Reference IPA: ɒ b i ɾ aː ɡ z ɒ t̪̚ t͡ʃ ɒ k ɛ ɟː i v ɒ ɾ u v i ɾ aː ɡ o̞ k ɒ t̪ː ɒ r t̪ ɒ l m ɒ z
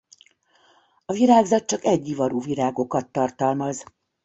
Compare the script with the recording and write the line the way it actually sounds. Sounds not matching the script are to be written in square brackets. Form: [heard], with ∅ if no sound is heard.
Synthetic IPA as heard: ɒ [v] i ɾ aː ɡ z ɒ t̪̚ t͡ʃ ɒ k ɛ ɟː i v ɒ ɾ u v i ɾ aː ɡ o̞ k ɒ t̪ː ɒ r t̪ ɒ l m ɒ z